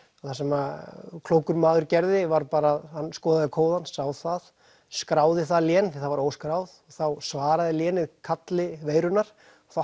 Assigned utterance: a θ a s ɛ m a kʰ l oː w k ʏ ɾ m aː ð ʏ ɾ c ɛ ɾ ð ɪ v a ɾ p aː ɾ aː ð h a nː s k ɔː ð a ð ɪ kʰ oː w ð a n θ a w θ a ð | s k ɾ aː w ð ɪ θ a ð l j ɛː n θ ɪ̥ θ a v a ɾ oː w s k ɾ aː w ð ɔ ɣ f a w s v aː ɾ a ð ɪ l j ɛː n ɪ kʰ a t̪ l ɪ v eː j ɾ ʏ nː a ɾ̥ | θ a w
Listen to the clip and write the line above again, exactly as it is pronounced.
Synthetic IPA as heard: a θ a s ɛ m a kʰ l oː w k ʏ ɾ m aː ð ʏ ɾ c ɛ ɾ ð ɪ v a ɾ p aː ɾ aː ð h a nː s k ɔː ð a ð ɪ kʰ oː w ð a n s a w θ a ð | s k ɾ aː w ð ɪ θ a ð l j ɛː n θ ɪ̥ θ a v a ɾ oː w s k ɾ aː w ð ɔ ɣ θ a w s v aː ɾ a ð ɪ l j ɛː n ɪ kʰ a t̪ l ɪ v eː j ɾ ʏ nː a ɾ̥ | θ a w